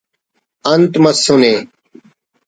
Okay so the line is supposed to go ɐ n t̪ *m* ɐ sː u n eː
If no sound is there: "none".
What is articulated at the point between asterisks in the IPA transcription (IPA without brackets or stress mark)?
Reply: m